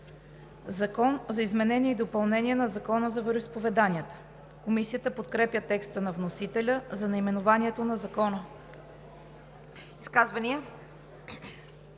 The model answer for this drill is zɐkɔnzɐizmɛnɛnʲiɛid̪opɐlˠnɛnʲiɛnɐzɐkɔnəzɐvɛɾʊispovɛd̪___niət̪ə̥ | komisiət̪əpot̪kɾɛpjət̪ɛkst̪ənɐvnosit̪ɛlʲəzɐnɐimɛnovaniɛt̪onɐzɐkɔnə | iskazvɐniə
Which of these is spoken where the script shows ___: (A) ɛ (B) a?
B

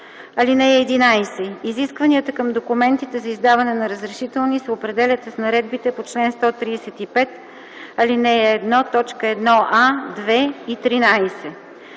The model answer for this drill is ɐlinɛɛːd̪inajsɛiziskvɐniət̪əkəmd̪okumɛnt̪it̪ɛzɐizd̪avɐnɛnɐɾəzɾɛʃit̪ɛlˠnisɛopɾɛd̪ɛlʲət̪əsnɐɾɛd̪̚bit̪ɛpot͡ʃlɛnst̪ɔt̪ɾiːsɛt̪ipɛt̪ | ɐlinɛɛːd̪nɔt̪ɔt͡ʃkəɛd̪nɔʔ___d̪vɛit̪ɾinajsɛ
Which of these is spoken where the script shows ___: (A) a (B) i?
A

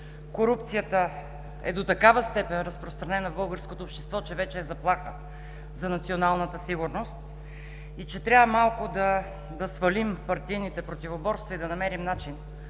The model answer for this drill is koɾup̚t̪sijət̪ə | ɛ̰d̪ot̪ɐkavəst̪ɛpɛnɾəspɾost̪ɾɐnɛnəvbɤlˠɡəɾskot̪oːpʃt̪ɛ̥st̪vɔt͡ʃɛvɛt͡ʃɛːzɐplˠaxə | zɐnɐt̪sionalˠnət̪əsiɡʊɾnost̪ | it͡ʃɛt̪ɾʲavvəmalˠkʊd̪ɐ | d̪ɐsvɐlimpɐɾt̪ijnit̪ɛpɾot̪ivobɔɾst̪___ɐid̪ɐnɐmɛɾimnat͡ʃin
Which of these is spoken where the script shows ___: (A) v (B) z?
A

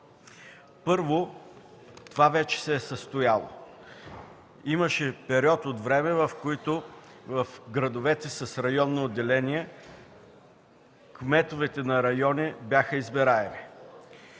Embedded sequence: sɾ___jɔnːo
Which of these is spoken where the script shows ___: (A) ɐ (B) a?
A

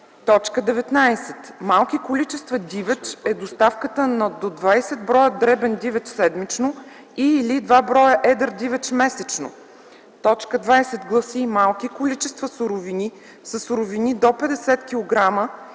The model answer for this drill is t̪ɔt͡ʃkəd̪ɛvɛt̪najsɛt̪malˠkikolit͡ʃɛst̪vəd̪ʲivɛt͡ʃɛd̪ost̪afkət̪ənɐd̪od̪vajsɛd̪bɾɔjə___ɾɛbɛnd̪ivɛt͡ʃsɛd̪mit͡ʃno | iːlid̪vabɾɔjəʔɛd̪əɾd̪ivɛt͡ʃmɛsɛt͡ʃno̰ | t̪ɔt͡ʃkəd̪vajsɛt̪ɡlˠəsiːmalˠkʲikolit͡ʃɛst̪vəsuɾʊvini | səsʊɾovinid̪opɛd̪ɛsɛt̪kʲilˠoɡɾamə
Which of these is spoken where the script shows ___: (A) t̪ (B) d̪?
B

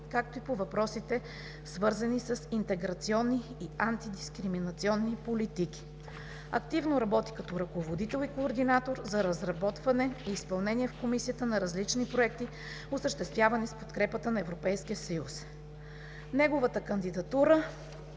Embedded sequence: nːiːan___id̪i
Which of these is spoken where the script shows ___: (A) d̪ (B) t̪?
B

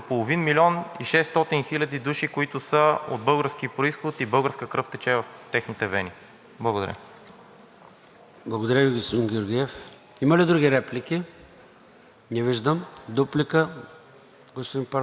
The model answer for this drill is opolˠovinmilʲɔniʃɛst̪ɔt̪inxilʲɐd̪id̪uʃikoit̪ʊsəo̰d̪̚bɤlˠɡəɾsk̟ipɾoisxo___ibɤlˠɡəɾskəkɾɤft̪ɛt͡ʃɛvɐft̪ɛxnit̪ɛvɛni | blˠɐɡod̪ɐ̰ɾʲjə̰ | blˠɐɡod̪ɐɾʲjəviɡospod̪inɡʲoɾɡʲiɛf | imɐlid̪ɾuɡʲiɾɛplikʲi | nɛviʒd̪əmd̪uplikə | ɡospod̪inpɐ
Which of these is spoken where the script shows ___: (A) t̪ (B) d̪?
A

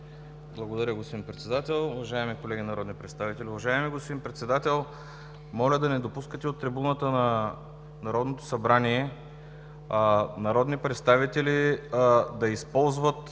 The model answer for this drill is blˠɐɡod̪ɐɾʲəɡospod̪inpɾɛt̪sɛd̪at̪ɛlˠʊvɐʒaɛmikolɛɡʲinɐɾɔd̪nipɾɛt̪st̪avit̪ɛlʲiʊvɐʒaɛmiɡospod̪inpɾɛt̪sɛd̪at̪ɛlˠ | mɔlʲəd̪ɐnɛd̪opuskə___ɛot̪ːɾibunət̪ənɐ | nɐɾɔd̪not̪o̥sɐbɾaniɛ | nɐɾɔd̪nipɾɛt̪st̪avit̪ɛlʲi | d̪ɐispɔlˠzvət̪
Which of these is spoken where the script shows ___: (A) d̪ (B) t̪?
B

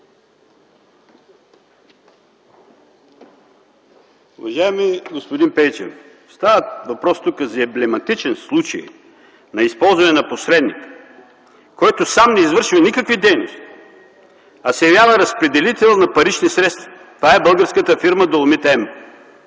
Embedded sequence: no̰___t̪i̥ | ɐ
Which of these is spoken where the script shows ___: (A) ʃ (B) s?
B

